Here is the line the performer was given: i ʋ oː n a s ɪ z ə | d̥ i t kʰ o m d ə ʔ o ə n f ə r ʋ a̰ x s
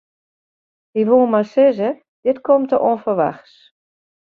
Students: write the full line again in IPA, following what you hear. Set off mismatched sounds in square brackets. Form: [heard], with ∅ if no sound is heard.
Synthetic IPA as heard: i ʋ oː [m] a s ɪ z ə | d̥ [ɪ] t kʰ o m [t] ə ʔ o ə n f ə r ʋ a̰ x s